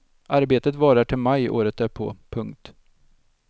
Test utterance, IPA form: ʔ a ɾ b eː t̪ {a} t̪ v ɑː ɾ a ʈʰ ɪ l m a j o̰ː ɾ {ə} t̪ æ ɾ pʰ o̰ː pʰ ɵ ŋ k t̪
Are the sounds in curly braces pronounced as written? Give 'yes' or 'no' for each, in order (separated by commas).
no, yes